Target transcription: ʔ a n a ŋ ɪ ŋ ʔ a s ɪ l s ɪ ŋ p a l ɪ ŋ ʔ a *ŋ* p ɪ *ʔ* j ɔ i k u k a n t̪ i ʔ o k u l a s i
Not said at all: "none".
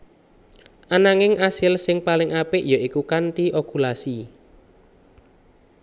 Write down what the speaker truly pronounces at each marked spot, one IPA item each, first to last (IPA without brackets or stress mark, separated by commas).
none, ʔ